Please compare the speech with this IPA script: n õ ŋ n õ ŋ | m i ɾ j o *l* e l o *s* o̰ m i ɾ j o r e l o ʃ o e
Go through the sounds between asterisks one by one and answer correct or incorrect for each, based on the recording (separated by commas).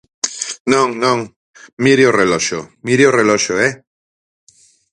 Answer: incorrect, incorrect